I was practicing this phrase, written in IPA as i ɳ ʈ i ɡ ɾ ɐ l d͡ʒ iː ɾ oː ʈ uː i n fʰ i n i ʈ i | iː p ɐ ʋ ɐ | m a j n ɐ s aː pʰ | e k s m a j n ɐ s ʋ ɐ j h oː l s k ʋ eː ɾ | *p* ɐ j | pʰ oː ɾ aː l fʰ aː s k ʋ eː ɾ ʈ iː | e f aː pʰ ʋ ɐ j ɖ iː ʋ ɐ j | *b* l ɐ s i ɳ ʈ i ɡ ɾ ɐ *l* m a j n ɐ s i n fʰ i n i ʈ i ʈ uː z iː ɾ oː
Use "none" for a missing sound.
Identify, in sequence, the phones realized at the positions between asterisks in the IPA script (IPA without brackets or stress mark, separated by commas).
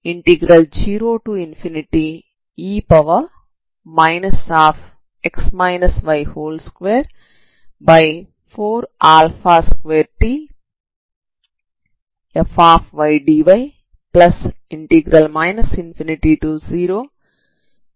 b, p, l